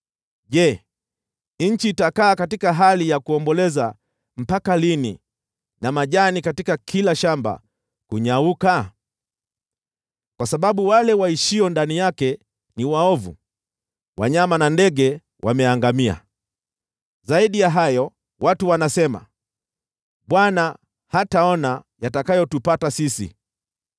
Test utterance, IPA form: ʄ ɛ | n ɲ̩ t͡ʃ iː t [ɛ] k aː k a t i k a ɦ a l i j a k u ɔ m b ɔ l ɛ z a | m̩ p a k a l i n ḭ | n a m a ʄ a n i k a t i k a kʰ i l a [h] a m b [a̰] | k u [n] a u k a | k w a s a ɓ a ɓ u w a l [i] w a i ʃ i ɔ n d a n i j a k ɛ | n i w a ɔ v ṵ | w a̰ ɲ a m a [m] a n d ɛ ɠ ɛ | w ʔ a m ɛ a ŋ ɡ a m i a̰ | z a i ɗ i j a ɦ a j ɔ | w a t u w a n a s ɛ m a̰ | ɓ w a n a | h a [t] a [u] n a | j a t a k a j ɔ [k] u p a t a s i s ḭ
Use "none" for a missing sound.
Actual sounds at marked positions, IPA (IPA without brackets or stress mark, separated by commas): a, ʃ, a̰, ɲ, ɛ, n, t, ɔ, t